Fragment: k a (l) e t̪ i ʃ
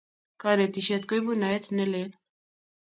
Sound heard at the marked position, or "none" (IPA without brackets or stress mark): ɾ